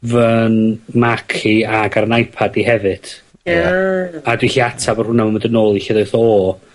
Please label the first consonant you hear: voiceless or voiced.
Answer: voiced